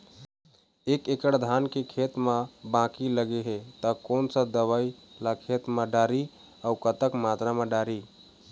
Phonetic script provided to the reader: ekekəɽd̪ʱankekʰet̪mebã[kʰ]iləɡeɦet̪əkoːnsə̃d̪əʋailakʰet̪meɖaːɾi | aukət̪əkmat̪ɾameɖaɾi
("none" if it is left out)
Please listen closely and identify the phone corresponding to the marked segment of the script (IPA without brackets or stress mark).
k